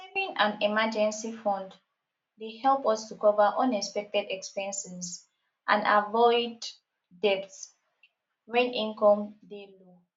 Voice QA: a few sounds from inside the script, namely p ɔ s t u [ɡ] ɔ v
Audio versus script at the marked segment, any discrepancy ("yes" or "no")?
yes